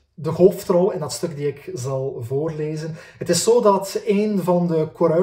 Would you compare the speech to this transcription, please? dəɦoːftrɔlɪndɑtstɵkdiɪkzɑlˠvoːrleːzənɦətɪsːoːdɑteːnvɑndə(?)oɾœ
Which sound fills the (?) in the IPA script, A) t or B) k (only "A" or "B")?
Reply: B